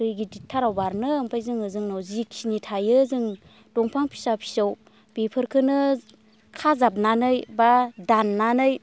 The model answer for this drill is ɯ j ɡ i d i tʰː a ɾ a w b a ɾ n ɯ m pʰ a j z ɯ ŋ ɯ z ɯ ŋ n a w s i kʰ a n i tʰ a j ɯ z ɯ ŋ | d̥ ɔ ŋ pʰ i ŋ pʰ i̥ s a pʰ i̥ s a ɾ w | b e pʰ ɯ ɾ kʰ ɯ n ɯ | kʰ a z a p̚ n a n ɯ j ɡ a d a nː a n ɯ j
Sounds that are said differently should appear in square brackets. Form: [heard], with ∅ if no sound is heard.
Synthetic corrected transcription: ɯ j ɡ i d i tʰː a ɾ a w b a ɾ n ɯ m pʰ a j z ɯ ŋ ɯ z ɯ ŋ n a w [z] i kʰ [i] n i tʰ a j ɯ z ɯ ŋ | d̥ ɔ ŋ pʰ [a] ŋ pʰ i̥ s a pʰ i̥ s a [∅] w | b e pʰ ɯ ɾ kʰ ɯ n ɯ | kʰ a z a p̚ n a n ɯ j [b] a d a nː a n ɯ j